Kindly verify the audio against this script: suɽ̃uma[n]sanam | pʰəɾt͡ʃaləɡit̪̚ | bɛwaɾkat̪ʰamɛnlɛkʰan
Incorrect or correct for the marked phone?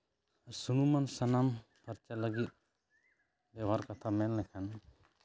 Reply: correct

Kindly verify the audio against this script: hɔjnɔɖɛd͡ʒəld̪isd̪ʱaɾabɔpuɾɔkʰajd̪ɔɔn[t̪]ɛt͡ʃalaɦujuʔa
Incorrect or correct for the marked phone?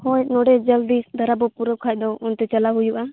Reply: correct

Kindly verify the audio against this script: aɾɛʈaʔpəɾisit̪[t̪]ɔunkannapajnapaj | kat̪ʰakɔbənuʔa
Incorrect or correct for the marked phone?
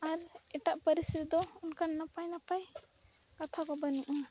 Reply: incorrect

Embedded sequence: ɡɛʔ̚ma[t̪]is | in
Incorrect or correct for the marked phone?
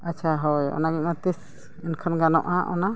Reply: correct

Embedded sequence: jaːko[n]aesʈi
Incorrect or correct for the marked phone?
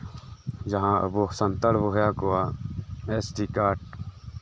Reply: incorrect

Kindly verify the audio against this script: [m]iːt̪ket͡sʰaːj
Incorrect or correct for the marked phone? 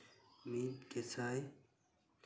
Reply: correct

